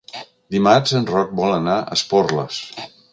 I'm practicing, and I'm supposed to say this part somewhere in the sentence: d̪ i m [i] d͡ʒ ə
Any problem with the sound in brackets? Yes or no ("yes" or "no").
yes